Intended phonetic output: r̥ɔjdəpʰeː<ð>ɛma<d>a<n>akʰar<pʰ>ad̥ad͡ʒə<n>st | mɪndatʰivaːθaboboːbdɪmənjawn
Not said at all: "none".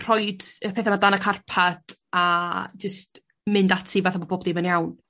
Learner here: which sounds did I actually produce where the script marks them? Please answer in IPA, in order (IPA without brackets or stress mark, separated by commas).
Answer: θ, d, n, pʰ, none